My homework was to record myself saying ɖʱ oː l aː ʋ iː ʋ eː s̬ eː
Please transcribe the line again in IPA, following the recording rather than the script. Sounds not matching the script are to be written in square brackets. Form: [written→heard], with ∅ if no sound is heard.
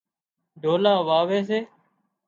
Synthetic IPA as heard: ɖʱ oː l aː ʋ [iː→aː] ʋ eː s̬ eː

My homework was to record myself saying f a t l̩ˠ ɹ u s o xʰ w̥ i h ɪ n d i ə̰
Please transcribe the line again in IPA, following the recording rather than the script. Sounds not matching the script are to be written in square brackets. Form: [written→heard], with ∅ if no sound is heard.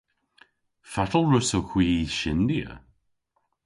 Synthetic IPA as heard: f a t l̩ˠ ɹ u s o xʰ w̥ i [h→ʃ] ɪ n d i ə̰

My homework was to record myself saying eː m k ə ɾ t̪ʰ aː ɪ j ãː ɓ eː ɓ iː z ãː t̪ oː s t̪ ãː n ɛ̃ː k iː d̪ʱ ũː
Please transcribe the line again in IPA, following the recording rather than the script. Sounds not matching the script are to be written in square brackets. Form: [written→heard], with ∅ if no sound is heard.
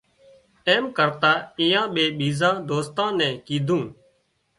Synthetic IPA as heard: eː m k ə ɾ [t̪ʰ→t̪] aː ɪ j ãː ɓ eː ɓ iː z ãː [t̪→d̪] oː s t̪ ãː n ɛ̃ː k iː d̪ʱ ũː

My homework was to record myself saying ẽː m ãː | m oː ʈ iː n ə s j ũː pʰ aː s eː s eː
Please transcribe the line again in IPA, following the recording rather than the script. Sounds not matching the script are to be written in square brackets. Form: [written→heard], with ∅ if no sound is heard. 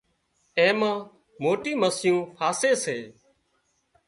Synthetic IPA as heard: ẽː m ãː | m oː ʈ iː [n→m] ə s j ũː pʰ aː s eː s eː

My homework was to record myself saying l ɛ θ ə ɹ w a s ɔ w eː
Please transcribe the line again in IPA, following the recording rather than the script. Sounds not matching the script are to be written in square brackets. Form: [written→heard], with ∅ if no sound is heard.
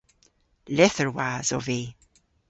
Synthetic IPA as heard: l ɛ θ ə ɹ w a [s→z] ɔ [w→v] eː

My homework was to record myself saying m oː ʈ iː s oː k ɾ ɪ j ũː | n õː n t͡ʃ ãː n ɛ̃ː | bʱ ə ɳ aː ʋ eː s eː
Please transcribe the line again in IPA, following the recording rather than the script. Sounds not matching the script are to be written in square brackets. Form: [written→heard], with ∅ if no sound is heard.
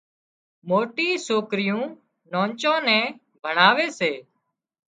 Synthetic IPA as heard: m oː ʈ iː s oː k ɾ ɪ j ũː | n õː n t͡ʃ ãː n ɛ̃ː | bʱ ə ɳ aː ʋ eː s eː

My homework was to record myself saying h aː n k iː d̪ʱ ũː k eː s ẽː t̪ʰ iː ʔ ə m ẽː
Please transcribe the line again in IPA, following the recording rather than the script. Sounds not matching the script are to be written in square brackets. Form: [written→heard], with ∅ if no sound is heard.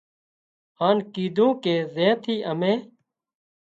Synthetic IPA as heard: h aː n k iː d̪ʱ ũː k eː [s→z] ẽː t̪ʰ iː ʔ ə m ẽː

